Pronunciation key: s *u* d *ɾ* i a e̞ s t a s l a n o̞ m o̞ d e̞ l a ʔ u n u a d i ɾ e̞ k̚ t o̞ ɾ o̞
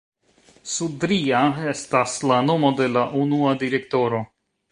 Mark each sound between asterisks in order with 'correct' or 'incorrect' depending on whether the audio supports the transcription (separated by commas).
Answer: correct, correct